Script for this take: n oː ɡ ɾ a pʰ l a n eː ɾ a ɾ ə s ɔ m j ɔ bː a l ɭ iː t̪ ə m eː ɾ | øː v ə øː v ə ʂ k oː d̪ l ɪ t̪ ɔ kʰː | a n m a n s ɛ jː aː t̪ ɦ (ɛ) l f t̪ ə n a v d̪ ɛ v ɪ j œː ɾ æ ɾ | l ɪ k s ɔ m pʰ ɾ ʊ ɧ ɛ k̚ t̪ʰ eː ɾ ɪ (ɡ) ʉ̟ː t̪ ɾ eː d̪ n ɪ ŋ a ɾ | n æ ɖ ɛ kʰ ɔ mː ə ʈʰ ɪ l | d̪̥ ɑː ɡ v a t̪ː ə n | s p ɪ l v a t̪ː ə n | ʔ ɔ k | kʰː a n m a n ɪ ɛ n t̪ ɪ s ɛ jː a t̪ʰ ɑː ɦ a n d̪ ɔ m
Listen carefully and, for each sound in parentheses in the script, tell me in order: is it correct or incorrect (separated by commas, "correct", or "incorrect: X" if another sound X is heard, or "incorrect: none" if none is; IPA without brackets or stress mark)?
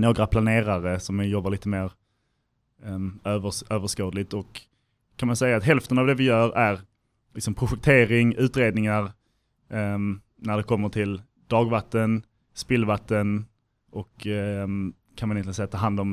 correct, incorrect: ŋ